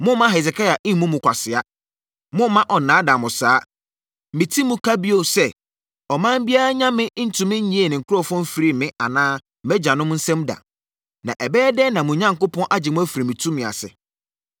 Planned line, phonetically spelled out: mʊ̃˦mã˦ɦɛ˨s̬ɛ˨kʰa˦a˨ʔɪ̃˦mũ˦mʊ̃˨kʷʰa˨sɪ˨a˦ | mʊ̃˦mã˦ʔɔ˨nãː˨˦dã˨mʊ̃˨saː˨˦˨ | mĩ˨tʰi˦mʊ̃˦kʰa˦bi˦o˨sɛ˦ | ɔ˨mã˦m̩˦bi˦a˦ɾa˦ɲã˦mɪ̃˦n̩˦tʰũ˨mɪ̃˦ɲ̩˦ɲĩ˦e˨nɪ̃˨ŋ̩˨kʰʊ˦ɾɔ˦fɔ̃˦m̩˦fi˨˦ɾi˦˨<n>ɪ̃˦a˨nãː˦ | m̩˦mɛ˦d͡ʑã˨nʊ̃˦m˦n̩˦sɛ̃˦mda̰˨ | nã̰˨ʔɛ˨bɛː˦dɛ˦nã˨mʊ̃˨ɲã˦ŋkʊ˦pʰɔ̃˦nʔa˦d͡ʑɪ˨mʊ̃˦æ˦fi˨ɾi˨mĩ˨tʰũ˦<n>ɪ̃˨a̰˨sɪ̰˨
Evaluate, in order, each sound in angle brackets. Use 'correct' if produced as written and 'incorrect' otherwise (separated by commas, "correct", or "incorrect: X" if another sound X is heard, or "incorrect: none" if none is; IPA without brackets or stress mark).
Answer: incorrect: m, incorrect: m